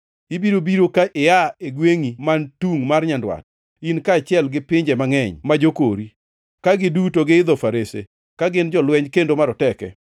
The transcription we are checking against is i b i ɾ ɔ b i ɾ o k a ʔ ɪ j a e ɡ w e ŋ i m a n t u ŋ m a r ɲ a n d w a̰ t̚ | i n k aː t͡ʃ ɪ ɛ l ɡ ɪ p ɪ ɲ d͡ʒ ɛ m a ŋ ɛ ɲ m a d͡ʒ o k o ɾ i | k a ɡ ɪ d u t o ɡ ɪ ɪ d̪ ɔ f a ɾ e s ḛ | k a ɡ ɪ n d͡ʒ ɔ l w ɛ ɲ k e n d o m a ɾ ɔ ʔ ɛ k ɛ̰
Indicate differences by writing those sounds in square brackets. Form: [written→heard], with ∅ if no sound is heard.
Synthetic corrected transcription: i b i ɾ [ɔ→o] b i ɾ o k a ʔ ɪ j a e ɡ w e ŋ i m a n t u ŋ m a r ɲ a n d w a̰ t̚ | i n k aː t͡ʃ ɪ ɛ l ɡ ɪ p ɪ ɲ d͡ʒ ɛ m a ŋ ɛ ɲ m a d͡ʒ o k o ɾ i | k a ɡ ɪ d u t o ɡ ɪ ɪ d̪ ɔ f a ɾ e s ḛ | k a ɡ ɪ n d͡ʒ ɔ l w ɛ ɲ k e n d o m a ɾ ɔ [ʔ→t] ɛ k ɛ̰